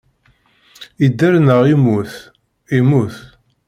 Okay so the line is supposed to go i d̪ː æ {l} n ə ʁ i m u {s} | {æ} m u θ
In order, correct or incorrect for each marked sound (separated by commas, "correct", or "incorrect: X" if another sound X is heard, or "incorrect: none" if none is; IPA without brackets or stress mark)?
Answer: incorrect: ɾ, incorrect: θ, incorrect: i